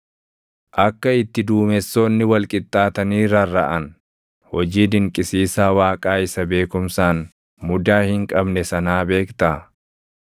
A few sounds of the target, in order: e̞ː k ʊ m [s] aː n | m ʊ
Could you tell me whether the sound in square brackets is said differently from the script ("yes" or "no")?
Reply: no